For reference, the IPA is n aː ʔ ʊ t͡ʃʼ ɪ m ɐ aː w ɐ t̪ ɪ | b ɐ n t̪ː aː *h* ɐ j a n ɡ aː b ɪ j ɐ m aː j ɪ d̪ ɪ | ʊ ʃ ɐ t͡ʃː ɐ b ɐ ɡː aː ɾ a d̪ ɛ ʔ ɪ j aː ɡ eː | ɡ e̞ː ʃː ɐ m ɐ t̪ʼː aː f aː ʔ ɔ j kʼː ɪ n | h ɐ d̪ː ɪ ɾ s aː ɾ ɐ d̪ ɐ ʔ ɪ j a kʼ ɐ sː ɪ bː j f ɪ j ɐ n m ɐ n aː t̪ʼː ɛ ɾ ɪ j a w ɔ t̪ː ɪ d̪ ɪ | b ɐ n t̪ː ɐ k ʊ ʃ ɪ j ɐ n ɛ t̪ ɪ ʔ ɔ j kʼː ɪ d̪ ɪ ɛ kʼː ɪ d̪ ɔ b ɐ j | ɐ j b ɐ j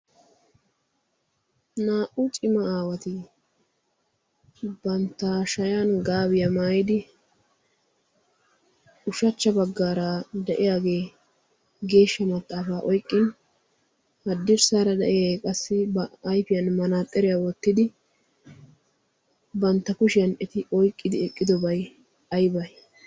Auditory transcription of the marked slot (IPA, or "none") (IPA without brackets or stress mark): ʃ